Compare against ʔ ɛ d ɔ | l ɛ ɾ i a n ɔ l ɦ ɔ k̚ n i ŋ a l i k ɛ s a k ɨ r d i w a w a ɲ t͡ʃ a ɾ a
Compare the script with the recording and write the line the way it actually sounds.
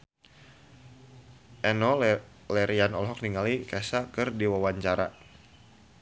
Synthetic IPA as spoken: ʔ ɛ n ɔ | l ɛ ɾ i a n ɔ l ɦ ɔ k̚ n i ŋ a l i k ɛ s a k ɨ r d i w a w a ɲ t͡ʃ a ɾ a